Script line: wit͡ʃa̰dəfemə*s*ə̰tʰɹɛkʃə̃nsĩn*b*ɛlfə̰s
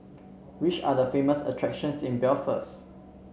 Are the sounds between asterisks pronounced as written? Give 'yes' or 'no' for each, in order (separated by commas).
yes, yes